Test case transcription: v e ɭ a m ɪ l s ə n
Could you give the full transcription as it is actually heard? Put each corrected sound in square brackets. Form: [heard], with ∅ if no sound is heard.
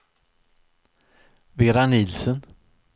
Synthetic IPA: v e [ɾ] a [n] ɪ l s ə n